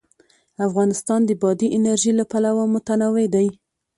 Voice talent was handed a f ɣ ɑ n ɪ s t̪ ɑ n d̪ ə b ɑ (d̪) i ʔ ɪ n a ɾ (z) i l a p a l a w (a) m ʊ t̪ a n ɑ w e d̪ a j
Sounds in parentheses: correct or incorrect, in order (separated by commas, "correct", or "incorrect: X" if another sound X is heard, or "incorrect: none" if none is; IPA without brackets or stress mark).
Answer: correct, incorrect: ʒ, correct